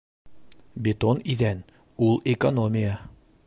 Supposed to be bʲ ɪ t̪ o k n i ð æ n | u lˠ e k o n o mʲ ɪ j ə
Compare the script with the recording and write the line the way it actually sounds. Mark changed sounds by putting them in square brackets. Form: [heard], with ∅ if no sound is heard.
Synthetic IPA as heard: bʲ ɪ t̪ o [∅] n i ð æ n | u lˠ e k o n o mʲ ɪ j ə